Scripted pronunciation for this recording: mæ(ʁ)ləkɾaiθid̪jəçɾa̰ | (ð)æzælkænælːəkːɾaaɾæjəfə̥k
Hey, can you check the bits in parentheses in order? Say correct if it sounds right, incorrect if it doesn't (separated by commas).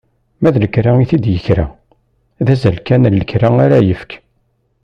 incorrect, correct